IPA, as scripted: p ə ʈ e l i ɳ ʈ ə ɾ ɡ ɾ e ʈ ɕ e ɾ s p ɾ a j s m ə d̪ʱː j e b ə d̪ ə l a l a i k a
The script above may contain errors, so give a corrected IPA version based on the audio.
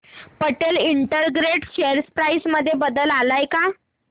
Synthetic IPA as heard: p ə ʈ e l i ɳ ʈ ə ɾ ɡ ɾ e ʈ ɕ e ɾ s p ɾ a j s m ə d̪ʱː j e b ə d̪ ə l a l a j k a